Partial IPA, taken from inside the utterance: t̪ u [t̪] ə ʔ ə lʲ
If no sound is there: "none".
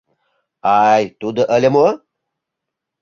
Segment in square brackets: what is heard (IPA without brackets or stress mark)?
d̪